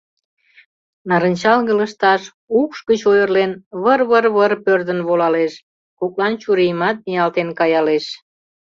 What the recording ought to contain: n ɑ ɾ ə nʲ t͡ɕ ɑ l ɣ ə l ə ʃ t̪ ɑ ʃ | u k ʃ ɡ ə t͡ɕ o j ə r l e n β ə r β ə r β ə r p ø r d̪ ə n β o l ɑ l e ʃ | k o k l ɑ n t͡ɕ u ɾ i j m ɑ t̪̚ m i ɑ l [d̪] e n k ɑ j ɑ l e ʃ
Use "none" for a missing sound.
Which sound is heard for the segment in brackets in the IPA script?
t̪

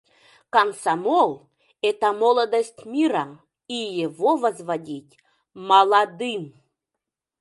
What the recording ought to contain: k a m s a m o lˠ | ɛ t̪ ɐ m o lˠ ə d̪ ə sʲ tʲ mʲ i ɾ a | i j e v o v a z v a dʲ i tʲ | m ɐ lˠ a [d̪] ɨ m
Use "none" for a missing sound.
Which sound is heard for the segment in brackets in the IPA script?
d̪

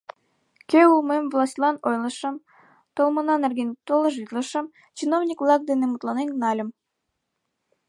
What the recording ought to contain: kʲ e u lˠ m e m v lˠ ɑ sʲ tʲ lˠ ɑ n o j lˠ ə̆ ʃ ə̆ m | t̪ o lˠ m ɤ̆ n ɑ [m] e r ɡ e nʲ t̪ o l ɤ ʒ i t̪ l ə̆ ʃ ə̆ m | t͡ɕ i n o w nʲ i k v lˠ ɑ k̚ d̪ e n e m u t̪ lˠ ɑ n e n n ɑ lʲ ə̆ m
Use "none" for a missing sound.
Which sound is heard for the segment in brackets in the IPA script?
n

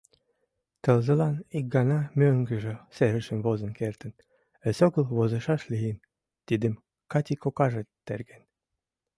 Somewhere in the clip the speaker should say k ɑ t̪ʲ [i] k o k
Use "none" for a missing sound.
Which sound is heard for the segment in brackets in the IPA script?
i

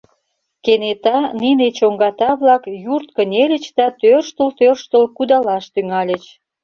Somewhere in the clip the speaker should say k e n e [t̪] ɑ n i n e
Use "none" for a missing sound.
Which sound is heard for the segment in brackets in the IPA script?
t̪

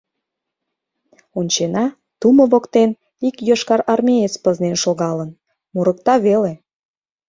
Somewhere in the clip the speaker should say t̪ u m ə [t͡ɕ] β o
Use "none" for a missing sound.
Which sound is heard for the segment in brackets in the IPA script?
none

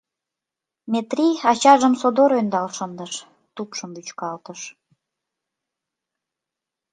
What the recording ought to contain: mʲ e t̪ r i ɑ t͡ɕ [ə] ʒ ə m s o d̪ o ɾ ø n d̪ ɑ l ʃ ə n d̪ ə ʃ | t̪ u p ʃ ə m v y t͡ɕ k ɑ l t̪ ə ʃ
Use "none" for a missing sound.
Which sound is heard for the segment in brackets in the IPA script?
ɑ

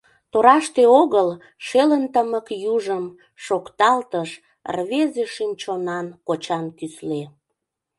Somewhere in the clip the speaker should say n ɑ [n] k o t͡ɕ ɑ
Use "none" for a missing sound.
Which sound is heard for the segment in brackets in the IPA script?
n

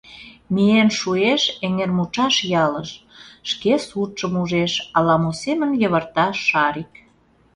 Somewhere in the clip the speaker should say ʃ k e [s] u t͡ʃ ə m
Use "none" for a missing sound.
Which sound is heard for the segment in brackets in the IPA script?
s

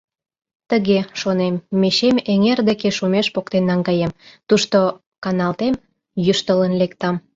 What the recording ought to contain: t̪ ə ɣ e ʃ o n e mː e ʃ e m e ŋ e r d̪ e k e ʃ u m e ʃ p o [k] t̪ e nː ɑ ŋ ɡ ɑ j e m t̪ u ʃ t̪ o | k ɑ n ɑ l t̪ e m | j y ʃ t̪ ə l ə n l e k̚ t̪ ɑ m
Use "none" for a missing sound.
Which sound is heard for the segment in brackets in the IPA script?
k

